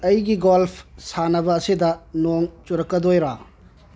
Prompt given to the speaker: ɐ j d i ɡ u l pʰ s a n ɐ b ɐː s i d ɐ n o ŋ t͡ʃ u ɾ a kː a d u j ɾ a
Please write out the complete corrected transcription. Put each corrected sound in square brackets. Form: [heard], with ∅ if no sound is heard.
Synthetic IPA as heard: ɐ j [ɡ] i ɡ [o] l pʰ s a n ɐ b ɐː s i d ɐ n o ŋ t͡ʃ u ɾ [ɐ] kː [ɐ] d [o] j ɾ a